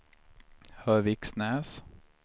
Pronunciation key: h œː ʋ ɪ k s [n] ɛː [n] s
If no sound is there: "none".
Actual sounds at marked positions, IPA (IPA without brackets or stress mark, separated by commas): n, none